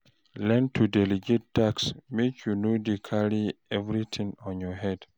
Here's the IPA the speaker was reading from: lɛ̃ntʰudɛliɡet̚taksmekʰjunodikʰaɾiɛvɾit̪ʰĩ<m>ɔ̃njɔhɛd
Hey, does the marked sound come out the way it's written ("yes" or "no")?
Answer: no